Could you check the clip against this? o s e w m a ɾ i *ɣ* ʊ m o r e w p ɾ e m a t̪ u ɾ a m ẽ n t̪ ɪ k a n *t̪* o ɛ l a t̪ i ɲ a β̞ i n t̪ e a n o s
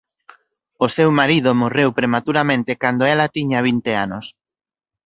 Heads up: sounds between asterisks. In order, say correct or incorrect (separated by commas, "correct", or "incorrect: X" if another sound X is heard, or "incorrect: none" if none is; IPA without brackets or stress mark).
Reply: incorrect: ð, incorrect: d̪